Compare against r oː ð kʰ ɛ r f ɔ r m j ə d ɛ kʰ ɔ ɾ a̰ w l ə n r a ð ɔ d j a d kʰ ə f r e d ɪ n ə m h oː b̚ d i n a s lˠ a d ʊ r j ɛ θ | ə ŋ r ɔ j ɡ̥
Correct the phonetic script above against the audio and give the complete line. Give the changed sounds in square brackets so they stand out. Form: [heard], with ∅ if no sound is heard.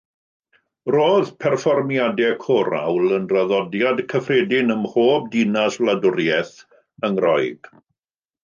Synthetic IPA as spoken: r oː ð [pʰ] ɛ r f ɔ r m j [a] d ɛ kʰ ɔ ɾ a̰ w l ə n r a ð ɔ d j a d kʰ ə f r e d ɪ n ə m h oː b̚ d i n a s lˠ a d ʊ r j ɛ θ | ə ŋ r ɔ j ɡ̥

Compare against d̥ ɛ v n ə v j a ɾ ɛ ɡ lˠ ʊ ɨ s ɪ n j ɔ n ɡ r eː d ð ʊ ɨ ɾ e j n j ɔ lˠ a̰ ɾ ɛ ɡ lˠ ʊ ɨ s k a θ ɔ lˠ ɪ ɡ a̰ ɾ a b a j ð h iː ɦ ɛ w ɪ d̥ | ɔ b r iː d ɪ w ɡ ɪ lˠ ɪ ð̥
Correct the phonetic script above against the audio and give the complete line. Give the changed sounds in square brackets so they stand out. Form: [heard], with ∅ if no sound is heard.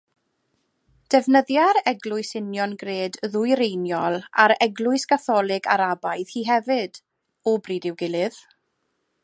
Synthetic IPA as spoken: d̥ ɛ v n ə [ð] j a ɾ ɛ ɡ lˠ ʊ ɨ s ɪ n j ɔ n ɡ r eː d ð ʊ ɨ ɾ e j n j ɔ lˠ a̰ ɾ ɛ ɡ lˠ ʊ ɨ s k a θ ɔ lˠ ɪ ɡ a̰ ɾ a b a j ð h iː ɦ ɛ [v] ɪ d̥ | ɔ b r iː d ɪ w ɡ ɪ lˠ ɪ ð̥

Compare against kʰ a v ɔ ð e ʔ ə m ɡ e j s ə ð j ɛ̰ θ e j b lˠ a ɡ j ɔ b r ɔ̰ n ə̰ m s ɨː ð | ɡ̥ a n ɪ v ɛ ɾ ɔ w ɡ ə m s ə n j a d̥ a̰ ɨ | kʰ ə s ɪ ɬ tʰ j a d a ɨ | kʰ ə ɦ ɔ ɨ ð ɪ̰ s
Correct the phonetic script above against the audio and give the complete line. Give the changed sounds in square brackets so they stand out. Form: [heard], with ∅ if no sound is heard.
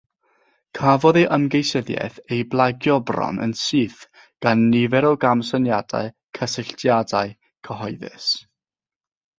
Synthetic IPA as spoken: kʰ a v ɔ ð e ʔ ə m ɡ e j s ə ð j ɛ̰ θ e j b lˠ a ɡ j ɔ b r ɔ̰ n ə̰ [n] s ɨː [θ] | ɡ̥ a [nː] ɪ v ɛ ɾ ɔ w ɡ [a] m s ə n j a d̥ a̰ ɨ | kʰ ə s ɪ ɬ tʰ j a d a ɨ | kʰ ə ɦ ɔ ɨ ð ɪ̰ s

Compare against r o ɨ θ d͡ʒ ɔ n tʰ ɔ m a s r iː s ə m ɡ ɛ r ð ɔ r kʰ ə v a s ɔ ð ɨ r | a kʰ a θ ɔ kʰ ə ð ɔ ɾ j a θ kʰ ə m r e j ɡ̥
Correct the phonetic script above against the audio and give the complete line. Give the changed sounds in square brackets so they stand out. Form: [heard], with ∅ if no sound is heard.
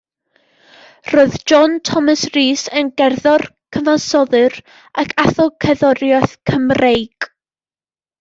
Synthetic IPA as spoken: r o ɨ [ð] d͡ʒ ɔ n tʰ ɔ m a s r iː s ə [n] ɡ ɛ r ð ɔ r kʰ ə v a s ɔ ð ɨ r | a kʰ a θ ɔ kʰ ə ð ɔ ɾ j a θ kʰ ə m r e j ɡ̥

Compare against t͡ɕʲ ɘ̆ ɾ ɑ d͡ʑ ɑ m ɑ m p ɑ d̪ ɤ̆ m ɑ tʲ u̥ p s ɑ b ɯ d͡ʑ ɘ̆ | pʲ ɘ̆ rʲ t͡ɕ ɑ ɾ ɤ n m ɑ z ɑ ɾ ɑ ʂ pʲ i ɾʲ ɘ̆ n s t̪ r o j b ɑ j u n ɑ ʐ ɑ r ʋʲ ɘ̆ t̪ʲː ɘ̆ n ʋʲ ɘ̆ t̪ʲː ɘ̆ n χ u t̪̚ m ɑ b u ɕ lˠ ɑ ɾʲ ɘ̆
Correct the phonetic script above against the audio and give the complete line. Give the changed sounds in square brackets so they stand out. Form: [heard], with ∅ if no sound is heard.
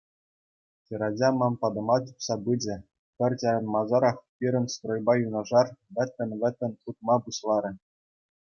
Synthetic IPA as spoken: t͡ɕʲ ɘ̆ ɾ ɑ d͡ʑ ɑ m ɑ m p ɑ d̪ ɤ̆ m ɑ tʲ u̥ p s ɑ b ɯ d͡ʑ ɘ̆ | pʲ ɘ̆ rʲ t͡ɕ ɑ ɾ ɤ n m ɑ z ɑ ɾ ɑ [χ] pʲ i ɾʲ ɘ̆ n s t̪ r o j b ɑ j u n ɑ ʐ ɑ r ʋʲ ɘ̆ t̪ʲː ɘ̆ n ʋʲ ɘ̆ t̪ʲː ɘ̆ n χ u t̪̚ m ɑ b u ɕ lˠ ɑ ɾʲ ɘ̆

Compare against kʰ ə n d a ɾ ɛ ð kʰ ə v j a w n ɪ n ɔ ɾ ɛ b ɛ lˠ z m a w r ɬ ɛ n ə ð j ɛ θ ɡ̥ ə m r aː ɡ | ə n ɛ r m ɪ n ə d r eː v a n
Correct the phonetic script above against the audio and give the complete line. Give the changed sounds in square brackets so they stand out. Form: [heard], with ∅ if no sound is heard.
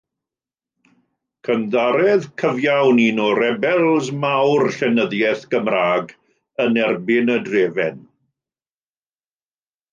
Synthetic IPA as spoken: kʰ ə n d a ɾ ɛ ð kʰ ə v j a w n [i] n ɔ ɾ ɛ b ɛ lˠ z m a w r ɬ ɛ n ə ð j ɛ θ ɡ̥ ə m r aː ɡ | ə n ɛ r [b] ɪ n ə d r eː v [ɛ] n

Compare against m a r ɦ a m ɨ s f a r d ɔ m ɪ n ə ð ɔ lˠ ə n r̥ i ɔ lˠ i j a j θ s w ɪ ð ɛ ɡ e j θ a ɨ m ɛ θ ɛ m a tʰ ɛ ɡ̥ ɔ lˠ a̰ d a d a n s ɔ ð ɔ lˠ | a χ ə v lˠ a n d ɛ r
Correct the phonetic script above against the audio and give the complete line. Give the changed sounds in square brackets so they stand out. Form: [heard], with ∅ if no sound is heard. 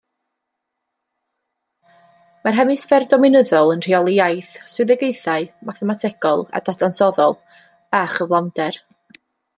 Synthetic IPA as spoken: m a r ɦ [ɛ] m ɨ s f [ɛ] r d ɔ m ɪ n ə ð ɔ lˠ ə n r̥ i ɔ lˠ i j a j θ s w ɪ ð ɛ ɡ e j θ a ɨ m [a] θ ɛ m a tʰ ɛ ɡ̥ ɔ lˠ a̰ d a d a n s ɔ ð ɔ lˠ | a χ ə v lˠ a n d ɛ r

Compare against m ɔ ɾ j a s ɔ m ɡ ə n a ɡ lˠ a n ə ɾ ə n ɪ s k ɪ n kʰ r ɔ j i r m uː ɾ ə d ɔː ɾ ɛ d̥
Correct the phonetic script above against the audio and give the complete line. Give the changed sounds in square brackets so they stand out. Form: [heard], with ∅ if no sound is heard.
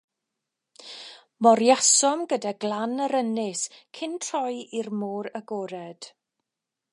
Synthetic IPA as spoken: m ɔ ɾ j a s ɔ m ɡ ə [d] a ɡ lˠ a n ə ɾ ə n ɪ s [kʰ] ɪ n [tʰ] r ɔ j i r m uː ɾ ə [ɡ] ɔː ɾ ɛ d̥

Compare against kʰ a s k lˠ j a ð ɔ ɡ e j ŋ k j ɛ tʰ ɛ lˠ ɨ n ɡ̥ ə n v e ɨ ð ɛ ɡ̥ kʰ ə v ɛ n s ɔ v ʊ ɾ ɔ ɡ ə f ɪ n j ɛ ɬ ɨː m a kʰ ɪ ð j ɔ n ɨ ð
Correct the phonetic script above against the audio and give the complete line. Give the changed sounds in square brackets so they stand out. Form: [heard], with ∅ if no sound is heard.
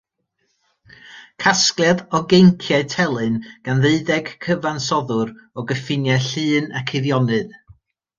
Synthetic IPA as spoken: kʰ a s k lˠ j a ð ɔ ɡ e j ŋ [kʰ] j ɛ tʰ ɛ lˠ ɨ n ɡ̥ [a] n [ð] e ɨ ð ɛ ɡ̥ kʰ ə v [a] n s ɔ [ð] ʊ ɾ ɔ ɡ ə f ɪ n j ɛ ɬ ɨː [n] a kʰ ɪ ð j ɔ n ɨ ð

